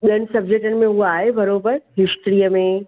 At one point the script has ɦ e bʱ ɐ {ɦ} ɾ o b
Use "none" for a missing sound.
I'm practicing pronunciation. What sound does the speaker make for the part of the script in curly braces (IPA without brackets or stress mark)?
none